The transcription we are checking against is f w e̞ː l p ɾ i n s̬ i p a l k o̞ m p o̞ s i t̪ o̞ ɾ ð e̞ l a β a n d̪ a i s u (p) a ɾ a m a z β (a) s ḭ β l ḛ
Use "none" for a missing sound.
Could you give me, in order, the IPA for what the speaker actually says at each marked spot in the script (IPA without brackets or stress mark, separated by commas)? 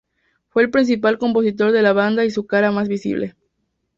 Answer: k, i